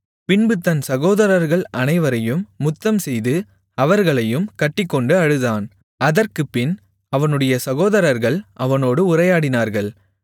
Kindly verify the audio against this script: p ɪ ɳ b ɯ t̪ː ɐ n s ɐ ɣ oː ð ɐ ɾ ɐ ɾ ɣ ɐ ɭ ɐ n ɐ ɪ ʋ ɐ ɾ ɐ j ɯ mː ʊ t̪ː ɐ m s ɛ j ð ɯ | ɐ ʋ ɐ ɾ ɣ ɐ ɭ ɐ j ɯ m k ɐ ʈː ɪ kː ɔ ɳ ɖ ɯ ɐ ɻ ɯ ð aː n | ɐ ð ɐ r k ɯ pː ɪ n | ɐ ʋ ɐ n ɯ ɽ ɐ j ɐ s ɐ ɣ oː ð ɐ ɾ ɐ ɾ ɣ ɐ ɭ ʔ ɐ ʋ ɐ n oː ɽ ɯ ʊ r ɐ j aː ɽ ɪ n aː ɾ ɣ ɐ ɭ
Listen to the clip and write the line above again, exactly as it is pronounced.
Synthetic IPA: p ɪ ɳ b ɯ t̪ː ɐ n s ɐ ɣ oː ð ɐ ɾ ɐ ɾ ɣ ɐ ɭ ɐ n ɐ ɪ ʋ ɐ ɾ ɐ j ɯ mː ʊ t̪ː ɐ m s ɛ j ð ɯ | ɐ ʋ ɐ ɾ ɣ ɐ ɭ ɐ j ɯ m k ɐ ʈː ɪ kː ɔ ɳ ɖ ɯ ɐ ɻ ɯ ð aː n | ɐ ð ɐ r k ɯ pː ɪ n | ɐ ʋ ɐ n ɯ ɽ ɐ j ɐ s ɐ ɣ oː ð ɐ ɾ ɐ ɾ ɣ ɐ ɭ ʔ ɐ ʋ ɐ n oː ɽ ɯ ʊ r ɐ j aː ɽ ɪ n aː ɾ ɣ ɐ ɭ

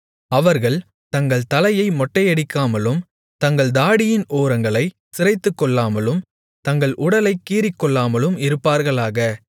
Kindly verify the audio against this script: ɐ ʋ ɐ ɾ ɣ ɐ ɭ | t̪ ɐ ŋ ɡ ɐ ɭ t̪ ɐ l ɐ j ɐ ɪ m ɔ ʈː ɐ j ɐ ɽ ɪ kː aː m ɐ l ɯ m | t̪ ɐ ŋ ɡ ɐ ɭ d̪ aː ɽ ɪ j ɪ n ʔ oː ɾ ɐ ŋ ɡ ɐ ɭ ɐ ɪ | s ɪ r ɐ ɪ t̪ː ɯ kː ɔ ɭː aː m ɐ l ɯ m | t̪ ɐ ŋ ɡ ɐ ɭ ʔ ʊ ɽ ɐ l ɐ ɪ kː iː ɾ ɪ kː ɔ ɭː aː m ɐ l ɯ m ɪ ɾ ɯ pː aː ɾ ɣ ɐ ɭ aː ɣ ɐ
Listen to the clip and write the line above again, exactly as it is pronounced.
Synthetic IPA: ɐ ʋ ɐ ɾ ɣ ɐ ɭ | t̪ ɐ ŋ ɡ ɐ ɭ t̪ ɐ l ɐ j ɐ ɪ m ɔ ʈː ɐ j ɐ ɽ ɪ kː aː m ɐ l ɯ m | t̪ ɐ ŋ ɡ ɐ ɭ d̪ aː ɽ ɪ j ɪ n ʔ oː ɾ ɐ ŋ ɡ ɐ ɭ ɐ ɪ | s ɪ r ɐ ɪ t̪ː ɯ kː ɔ ɭː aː m ɐ l ɯ m | t̪ ɐ ŋ ɡ ɐ ɭ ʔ ʊ ɽ ɐ l ɐ ɪ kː iː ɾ ɪ kː ɔ ɭː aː m ɐ l ɯ m ɪ ɾ ɯ pː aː ɾ ɣ ɐ ɭ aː ɣ ɐ

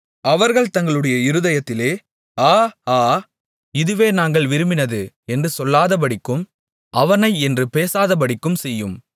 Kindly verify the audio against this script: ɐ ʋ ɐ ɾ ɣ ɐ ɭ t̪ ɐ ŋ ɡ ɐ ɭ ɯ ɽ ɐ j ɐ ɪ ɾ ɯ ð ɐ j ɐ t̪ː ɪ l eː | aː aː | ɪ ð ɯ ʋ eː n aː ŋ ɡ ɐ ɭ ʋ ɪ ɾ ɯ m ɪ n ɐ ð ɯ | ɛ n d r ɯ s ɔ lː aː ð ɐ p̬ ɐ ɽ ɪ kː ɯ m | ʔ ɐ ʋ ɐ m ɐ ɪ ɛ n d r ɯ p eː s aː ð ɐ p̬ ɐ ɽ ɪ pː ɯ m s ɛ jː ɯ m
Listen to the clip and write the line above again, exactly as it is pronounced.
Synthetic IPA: ɐ ʋ ɐ ɾ ɣ ɐ ɭ t̪ ɐ ŋ ɡ ɐ ɭ ɯ ɽ ɐ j ɐ ɪ ɾ ɯ ð ɐ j ɐ t̪ː ɪ l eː | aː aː | ɪ ð ɯ ʋ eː n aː ŋ ɡ ɐ ɭ ʋ ɪ ɾ ɯ m ɪ n ɐ ð ɯ | ɛ n d r ɯ s ɔ lː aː ð ɐ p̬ ɐ ɽ ɪ kː ɯ m | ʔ ɐ ʋ ɐ n ɐ ɪ ɛ n d r ɯ p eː s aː ð ɐ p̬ ɐ ɽ ɪ kː ɯ m s ɛ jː ɯ m

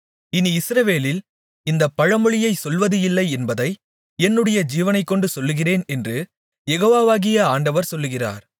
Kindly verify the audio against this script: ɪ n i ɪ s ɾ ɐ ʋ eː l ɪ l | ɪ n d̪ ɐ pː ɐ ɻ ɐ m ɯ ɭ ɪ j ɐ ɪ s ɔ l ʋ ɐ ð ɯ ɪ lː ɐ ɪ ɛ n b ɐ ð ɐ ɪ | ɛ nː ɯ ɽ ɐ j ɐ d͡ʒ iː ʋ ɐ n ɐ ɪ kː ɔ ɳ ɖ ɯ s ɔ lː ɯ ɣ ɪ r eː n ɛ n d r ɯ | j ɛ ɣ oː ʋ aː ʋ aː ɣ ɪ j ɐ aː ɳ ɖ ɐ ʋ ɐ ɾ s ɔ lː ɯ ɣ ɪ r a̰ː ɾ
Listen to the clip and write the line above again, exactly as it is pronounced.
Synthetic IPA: ɪ n i ɪ s ɾ ɐ ʋ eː l ɪ l | ɪ n d̪ ɐ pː ɐ ɻ ɐ m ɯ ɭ ɪ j ɐ ɪ s ɔ l ʋ ɐ ð ɯ ɪ lː ɐ ɪ ɛ n b ɐ ð ɐ ɪ | ɛ nː ɯ ɽ ɐ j ɐ d͡ʒ iː ʋ ɐ n ɐ ɪ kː ɔ ɳ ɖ ɯ s ɔ lː ɯ ɣ ɪ r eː n ɛ n d r ɯ | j ɛ ɣ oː ʋ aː ʋ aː ɣ ɪ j ɐ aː ɳ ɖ ɐ ʋ ɐ ɾ s ɔ lː ɯ ɣ ɪ r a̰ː ɾ

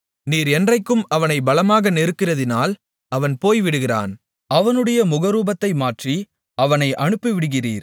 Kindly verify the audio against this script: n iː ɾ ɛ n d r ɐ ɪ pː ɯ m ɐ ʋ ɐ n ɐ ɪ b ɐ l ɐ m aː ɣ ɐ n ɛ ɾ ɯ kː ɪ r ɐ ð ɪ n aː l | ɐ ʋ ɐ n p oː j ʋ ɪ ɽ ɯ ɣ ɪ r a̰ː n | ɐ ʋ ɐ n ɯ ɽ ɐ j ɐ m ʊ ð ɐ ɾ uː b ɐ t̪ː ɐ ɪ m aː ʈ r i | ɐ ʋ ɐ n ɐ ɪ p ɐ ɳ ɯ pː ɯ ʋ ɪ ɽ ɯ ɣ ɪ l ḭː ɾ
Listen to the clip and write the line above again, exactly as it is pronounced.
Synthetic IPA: n iː ɾ ɛ n d r ɐ ɪ kː ɯ m ɐ ʋ ɐ n ɐ ɪ b ɐ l ɐ m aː ɣ ɐ n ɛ ɾ ɯ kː ɪ r ɐ ð ɪ n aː l | ɐ ʋ ɐ n p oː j ʋ ɪ ɽ ɯ ɣ ɪ r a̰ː n | ɐ ʋ ɐ n ɯ ɽ ɐ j ɐ m ʊ ɣ ɐ ɾ uː b ɐ t̪ː ɐ ɪ m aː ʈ r i | ɐ ʋ ɐ n ɐ ɪ ʔ ɐ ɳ ɯ pː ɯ ʋ ɪ ɽ ɯ ɣ ɪ r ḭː ɾ

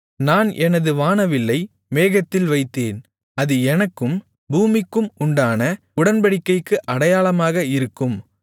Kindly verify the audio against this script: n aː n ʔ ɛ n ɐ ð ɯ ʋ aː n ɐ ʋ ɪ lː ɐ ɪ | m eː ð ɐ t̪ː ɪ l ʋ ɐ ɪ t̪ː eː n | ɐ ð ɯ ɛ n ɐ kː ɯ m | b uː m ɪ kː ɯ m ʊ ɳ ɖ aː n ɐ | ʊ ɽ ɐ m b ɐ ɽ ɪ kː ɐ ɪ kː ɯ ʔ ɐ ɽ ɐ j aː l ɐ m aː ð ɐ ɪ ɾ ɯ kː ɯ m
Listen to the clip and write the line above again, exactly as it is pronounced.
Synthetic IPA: n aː n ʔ ɛ n ɐ ð ɯ ʋ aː n ɐ ʋ ɪ lː ɐ ɪ | m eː ɣ ɐ t̪ː ɪ l ʋ ɐ ɪ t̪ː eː n | ɐ ð ɯ ɛ n ɐ kː ɯ m | b uː m ɪ kː ɯ m ʊ ɳ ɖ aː n ɐ | ʊ ɽ ɐ n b ɐ ɽ ɪ kː ɐ ɪ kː ɯ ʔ ɐ ɽ ɐ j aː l ɐ m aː ɣ ɐ ɪ ɾ ɯ kː ɯ m

